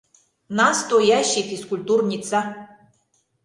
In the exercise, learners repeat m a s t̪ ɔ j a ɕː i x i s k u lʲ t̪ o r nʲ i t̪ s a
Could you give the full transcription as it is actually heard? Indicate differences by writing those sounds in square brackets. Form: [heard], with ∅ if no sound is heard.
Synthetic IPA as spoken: [n] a s t̪ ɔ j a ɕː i x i s k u lʲ t̪ [u] r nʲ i t̪ s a

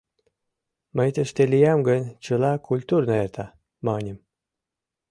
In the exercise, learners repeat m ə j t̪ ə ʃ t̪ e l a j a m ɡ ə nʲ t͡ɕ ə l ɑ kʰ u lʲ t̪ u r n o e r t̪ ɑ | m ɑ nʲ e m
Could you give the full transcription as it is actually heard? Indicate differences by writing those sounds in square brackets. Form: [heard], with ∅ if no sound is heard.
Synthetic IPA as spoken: m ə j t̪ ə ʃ t̪ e l [i] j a m ɡ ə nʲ t͡ɕ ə l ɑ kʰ u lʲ t̪ u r n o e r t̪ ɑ | m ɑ nʲ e m

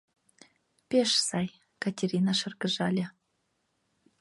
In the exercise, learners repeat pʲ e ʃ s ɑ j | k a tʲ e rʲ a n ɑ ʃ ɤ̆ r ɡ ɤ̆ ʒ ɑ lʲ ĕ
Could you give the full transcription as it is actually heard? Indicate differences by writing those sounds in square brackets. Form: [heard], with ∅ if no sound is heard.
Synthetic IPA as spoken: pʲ e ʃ s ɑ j | k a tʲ e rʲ [i] n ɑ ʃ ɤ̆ r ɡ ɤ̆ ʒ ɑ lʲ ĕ

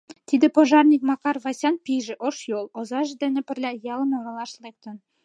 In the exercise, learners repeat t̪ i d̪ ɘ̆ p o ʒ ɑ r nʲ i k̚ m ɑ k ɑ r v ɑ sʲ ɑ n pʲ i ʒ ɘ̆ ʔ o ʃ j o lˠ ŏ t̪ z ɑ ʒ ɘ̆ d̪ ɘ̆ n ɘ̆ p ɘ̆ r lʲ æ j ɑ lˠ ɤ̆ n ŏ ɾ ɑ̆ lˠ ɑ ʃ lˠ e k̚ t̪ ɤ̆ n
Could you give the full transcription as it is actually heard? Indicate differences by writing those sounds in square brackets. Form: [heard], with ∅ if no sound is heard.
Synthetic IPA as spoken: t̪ i d̪ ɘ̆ p o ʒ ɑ r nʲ i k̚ m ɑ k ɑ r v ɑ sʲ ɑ n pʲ i ʒ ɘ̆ ʔ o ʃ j o lˠ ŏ [∅] z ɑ ʒ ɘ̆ d̪ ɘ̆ n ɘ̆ p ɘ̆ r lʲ æ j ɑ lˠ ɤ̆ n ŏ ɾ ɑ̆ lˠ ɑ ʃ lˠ e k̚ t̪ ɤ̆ n

